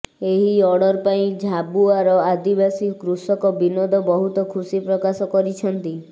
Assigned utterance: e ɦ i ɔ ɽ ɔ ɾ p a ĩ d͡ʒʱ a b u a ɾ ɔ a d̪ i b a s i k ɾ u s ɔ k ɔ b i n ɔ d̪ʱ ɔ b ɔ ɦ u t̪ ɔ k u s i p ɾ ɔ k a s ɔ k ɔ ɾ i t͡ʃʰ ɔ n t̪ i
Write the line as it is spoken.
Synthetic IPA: e ɦ i ɔ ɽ ɔ ɾ p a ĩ d͡ʒʱ a b u a ɾ ɔ a d̪ i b a s i k ɾ u s ɔ k ɔ b i n ɔ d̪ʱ ɔ b ɔ ɦ u t̪ ɔ kʰ u s i p ɾ ɔ k a s ɔ k ɔ ɾ i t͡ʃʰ ɔ n t̪ i